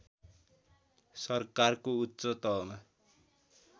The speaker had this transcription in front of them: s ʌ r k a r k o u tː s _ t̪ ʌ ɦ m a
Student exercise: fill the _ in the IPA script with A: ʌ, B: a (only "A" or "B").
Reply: A